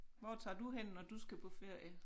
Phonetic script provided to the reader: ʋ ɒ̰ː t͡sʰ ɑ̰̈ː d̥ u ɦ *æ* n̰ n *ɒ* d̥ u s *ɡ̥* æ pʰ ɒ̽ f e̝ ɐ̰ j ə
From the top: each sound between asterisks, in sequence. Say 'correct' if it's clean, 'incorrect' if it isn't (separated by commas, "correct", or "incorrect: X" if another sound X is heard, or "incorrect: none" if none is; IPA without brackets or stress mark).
incorrect: e, correct, correct